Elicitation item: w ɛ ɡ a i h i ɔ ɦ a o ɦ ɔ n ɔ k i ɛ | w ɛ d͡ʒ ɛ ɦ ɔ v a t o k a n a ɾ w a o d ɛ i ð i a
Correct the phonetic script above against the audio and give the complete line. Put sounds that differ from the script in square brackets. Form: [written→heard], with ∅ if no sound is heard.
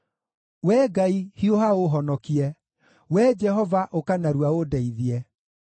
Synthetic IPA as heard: w ɛ ɡ a i h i [ɔ→o] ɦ a o ɦ ɔ n ɔ k i ɛ | w ɛ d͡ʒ ɛ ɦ ɔ v a [t→ʔ] o k a n a ɾ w a o d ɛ i ð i [a→ɛ]